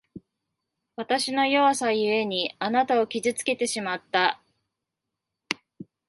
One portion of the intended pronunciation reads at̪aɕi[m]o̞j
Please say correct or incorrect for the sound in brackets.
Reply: incorrect